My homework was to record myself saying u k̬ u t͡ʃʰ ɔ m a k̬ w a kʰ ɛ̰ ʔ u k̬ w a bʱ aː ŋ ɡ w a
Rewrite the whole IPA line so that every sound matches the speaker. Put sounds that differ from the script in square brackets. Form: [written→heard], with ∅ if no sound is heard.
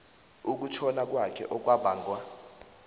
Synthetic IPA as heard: u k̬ u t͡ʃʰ ɔ [m→n] a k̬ w a kʰ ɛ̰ ʔ [u→ɔ] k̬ w a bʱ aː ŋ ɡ w a